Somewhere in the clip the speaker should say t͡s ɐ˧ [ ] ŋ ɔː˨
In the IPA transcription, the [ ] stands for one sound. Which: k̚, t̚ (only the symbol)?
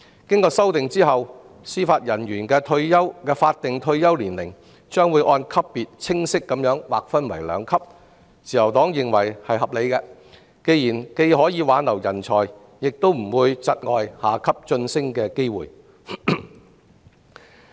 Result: t̚